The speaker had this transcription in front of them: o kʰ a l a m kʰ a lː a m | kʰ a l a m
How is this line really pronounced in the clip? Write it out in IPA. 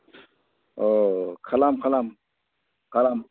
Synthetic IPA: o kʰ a l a m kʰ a l a m | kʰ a l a m